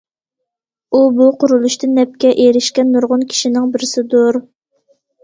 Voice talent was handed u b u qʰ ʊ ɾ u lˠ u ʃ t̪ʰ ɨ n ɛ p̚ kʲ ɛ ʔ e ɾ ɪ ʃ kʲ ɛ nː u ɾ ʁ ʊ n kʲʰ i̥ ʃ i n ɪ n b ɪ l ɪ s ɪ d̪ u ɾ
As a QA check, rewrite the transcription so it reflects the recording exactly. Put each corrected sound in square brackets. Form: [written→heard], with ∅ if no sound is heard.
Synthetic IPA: u b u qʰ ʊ ɾ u lˠ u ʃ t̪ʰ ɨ n ɛ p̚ kʲ ɛ ʔ e ɾ ɪ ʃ kʲ ɛ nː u ɾ ʁ ʊ n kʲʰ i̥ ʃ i n ɪ [n→ŋ] b ɪ [l→ɾ] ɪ s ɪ d̪ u ɾ